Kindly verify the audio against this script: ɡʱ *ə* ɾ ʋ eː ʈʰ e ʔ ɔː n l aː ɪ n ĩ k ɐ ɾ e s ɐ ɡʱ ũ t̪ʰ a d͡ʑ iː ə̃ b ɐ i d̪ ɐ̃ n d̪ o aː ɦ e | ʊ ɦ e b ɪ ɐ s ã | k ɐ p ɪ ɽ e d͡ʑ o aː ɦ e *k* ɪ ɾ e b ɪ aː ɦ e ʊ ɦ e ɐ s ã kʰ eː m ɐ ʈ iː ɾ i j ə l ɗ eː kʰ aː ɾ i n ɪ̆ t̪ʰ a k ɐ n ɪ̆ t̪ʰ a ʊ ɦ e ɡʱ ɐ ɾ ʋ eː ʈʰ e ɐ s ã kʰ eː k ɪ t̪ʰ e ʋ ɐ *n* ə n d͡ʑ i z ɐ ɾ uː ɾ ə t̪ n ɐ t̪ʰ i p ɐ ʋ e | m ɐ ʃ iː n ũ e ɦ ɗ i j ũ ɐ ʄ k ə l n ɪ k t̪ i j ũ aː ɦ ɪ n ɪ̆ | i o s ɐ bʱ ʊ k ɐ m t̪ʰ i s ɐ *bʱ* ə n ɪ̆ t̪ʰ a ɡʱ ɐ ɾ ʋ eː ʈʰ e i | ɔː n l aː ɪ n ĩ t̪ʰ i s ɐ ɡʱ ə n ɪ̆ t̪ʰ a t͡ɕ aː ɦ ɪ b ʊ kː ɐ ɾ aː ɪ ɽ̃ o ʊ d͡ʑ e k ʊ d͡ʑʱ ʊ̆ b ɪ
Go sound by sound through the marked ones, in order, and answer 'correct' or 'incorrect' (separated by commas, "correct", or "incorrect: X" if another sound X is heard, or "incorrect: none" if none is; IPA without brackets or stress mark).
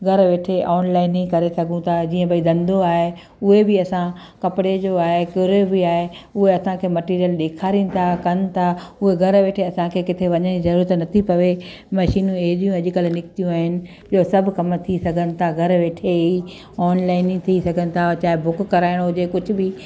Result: incorrect: ɐ, correct, incorrect: ɲ, incorrect: ɡʱ